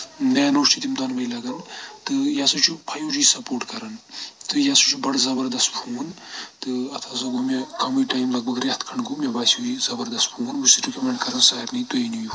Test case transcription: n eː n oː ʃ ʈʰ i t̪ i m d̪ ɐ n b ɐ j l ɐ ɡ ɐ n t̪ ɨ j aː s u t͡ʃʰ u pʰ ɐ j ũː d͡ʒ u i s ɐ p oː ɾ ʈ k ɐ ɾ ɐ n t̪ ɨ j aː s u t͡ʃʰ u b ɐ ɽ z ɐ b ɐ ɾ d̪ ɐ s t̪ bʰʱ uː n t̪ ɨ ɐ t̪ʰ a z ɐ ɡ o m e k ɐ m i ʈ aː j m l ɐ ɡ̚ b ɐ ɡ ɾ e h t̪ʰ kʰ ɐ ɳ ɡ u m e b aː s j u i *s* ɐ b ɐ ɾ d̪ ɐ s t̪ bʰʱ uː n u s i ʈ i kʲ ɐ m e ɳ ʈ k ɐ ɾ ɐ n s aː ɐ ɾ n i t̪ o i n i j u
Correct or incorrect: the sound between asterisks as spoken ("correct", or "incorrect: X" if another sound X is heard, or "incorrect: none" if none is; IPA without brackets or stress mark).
incorrect: z